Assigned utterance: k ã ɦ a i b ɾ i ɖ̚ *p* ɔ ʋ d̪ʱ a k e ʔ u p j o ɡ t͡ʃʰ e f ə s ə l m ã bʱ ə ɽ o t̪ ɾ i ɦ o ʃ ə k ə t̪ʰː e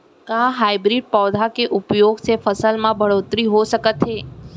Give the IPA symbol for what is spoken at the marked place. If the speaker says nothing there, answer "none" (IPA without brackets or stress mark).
p